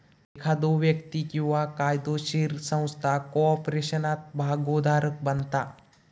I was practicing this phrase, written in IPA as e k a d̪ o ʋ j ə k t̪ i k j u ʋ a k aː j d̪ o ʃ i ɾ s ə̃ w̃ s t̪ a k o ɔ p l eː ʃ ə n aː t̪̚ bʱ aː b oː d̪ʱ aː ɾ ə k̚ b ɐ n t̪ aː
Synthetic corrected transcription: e kʰ a d̪ o ʋ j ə k t̪ i k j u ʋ a k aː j d̪ o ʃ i ɾ s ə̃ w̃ s t̪ʰ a k o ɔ p ɾ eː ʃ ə n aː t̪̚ bʱ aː ɡ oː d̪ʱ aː ɾ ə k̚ b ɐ n t̪ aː